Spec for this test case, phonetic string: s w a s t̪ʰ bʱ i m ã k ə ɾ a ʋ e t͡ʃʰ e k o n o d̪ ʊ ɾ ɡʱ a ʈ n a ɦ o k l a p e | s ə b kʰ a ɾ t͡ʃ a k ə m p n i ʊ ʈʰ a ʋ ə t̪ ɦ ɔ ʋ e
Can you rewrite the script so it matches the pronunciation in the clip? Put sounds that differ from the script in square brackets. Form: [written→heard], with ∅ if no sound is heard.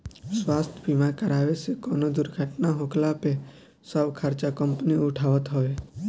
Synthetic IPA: s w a s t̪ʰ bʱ i m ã k ə ɾ a ʋ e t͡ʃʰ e k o n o d̪ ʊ ɾ ɡʱ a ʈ n a ɦ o k l a p e | s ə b kʰ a ɾ t͡ʃ a k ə m p n i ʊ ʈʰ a ʋ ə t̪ ɦ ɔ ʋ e